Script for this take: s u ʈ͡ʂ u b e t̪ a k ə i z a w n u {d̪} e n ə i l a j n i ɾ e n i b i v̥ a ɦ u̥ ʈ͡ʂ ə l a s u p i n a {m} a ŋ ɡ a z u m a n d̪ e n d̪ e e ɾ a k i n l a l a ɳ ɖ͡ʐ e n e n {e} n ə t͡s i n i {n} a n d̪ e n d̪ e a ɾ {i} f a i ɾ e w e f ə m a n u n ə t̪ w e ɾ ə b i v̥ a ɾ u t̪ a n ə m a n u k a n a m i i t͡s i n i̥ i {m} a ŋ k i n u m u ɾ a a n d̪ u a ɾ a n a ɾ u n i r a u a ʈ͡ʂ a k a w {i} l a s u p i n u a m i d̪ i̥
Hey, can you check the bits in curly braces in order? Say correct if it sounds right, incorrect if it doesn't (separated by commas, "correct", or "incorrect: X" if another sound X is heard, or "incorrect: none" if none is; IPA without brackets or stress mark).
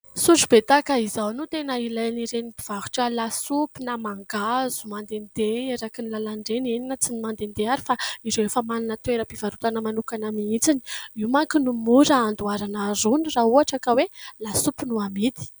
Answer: incorrect: t̪, correct, incorrect: i, incorrect: m, correct, correct, incorrect: e